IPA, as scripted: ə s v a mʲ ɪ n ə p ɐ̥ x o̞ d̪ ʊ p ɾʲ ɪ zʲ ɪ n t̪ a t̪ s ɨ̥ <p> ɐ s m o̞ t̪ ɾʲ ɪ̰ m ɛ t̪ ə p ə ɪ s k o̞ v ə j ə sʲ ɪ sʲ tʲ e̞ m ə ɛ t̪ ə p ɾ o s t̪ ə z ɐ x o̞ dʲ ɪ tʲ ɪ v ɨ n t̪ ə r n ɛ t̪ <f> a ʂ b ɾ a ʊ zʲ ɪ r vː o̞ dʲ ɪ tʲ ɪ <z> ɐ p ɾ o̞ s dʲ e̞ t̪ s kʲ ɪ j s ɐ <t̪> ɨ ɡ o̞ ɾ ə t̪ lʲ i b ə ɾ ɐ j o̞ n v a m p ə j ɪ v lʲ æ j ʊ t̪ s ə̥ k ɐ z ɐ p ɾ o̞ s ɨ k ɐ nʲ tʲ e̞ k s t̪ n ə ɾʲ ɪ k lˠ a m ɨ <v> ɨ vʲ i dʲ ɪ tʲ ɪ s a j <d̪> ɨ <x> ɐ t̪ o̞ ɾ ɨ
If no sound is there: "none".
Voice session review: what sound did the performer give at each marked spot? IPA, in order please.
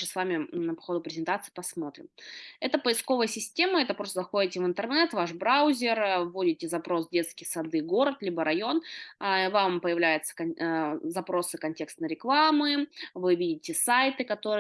p, v, z, d̪, v, t̪, k

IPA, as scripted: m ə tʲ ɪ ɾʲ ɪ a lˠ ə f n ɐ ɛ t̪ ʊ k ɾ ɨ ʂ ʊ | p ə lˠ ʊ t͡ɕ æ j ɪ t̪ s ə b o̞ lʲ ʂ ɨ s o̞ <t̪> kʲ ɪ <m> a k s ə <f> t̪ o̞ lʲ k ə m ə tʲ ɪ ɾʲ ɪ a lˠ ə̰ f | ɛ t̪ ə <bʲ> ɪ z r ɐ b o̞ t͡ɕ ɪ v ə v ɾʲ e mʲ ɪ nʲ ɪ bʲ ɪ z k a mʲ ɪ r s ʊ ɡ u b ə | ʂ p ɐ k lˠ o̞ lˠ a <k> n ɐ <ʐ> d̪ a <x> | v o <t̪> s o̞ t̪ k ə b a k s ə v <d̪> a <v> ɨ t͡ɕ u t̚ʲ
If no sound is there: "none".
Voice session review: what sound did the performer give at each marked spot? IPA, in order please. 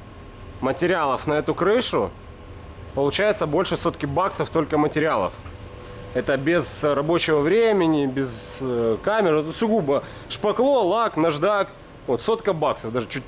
t̪, b, f, bʲ, k, ʐ, k, t̪, d̪, ʐ

